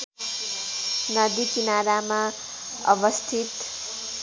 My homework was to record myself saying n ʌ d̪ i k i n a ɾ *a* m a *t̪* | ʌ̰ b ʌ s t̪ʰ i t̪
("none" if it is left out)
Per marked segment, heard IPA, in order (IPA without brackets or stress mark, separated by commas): a, none